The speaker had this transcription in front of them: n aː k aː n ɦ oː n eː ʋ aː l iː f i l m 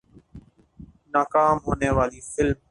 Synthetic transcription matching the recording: n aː k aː m ɦ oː n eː ʋ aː l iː f ɪ l m